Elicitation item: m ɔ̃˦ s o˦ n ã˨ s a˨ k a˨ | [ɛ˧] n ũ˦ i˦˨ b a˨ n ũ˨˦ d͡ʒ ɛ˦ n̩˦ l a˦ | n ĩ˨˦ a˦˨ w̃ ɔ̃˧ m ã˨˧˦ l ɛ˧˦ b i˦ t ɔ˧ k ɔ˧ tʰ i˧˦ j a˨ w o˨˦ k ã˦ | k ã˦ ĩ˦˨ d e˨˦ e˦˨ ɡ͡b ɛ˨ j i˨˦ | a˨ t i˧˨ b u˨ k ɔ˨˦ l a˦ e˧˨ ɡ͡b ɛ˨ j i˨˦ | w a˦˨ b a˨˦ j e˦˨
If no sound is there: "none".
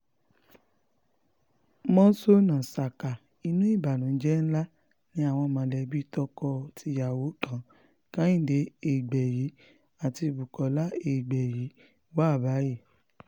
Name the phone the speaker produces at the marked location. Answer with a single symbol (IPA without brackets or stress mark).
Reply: i˧